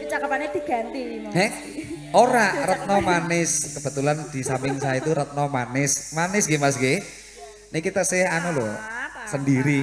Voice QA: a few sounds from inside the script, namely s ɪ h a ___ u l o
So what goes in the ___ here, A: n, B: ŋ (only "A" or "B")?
A